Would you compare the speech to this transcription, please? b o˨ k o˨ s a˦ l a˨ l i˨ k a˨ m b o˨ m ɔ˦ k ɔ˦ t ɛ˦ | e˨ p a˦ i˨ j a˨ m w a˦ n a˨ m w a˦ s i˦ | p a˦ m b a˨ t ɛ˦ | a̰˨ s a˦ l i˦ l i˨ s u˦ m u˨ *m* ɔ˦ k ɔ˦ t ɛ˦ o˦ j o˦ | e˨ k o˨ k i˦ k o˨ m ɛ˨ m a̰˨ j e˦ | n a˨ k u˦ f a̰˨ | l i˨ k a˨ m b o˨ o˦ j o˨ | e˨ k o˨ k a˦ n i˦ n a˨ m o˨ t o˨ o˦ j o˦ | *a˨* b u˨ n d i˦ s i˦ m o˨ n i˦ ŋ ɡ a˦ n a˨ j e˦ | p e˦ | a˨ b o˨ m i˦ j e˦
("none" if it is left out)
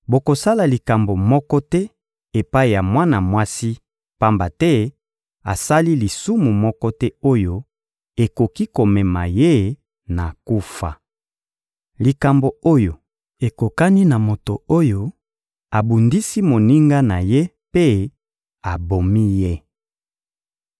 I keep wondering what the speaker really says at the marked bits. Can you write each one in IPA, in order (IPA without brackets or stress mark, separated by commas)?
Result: m, a˨